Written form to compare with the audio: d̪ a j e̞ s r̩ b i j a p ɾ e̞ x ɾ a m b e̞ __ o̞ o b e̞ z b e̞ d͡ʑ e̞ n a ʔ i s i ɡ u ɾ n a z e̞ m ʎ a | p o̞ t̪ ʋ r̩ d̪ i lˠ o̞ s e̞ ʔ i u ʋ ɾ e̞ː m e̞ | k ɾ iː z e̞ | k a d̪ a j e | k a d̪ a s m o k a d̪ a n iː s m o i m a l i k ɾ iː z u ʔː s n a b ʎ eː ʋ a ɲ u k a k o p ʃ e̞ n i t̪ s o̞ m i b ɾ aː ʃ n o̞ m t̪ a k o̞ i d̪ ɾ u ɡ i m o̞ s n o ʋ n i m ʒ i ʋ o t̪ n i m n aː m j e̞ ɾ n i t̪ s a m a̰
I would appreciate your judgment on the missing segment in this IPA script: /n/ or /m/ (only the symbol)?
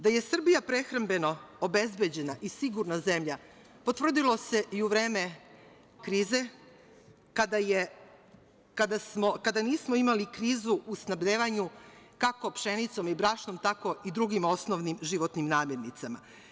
n